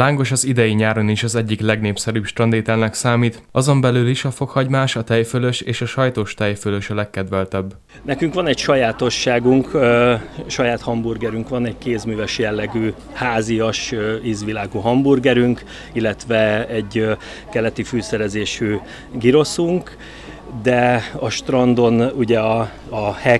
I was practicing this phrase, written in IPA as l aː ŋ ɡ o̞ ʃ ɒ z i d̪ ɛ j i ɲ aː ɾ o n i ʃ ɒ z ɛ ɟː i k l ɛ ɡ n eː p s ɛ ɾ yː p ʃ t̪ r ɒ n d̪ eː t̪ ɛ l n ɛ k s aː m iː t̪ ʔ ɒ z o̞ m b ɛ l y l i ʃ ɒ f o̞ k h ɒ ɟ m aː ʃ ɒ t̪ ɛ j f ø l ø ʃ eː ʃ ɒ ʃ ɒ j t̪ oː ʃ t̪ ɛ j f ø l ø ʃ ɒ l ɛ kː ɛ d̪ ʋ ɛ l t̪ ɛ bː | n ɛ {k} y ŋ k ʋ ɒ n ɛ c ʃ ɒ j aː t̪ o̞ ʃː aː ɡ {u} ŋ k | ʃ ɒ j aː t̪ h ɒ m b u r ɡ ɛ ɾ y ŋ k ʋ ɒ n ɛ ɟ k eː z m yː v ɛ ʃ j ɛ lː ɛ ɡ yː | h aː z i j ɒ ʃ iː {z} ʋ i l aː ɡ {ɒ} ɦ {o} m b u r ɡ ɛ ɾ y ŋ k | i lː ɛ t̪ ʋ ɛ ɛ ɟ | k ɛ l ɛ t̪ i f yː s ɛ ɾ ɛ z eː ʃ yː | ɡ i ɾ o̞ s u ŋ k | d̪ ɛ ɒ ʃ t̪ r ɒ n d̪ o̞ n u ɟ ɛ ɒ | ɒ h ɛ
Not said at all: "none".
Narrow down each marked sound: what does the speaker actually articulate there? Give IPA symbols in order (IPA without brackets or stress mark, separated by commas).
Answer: k, u, z, u, ɒ